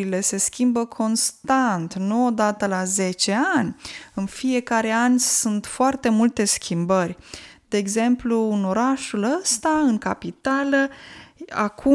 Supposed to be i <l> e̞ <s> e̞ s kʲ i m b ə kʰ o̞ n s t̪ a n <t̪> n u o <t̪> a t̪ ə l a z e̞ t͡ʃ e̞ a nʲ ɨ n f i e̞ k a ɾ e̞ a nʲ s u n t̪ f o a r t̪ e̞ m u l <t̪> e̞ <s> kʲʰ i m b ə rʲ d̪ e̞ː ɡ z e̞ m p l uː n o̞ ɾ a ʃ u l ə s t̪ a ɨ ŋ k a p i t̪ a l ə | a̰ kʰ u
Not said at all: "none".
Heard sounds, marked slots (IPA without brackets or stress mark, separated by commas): l, s, t̪, d̪, t̪, s